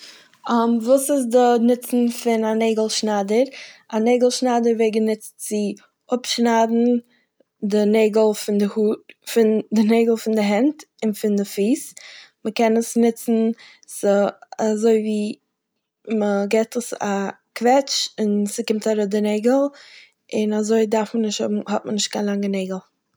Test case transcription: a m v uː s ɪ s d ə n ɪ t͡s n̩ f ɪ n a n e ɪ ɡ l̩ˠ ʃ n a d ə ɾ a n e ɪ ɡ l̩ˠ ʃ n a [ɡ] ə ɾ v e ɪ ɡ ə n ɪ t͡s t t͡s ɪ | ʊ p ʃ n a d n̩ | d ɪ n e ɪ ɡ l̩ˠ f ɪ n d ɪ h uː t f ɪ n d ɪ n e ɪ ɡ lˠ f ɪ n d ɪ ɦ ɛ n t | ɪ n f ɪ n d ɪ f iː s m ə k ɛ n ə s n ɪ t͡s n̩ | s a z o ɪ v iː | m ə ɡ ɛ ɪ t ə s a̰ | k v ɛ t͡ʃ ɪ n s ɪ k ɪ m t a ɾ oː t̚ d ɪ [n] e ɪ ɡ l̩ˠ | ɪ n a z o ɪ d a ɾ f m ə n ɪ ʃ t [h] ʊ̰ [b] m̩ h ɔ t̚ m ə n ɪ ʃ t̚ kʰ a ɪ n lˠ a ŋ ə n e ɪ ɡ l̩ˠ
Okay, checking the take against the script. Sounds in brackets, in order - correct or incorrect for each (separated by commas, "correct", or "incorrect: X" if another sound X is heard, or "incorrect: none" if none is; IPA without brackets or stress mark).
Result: incorrect: d, correct, correct, correct